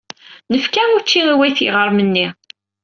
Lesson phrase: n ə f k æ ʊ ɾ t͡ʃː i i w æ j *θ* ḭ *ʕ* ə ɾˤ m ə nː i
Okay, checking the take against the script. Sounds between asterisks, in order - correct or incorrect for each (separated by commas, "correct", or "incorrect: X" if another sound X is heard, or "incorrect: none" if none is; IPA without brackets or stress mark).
correct, incorrect: ʁ